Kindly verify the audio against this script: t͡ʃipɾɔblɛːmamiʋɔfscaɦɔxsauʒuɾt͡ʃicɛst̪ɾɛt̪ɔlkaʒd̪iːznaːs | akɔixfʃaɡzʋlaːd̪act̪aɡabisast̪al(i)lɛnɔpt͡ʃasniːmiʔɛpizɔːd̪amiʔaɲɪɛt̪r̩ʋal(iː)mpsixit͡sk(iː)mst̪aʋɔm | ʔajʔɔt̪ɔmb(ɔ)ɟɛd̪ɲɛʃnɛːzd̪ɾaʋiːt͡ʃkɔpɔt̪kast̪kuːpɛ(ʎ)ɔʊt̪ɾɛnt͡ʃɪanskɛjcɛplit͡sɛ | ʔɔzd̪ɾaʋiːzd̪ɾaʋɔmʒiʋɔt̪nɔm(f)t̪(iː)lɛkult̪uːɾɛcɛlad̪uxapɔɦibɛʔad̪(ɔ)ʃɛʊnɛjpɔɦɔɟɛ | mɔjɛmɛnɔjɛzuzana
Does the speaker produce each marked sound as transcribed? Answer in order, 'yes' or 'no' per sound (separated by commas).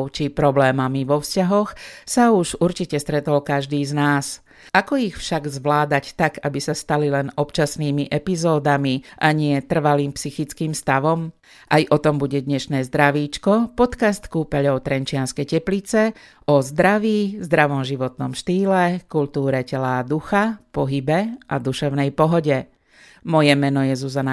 yes, yes, yes, no, yes, no, yes, no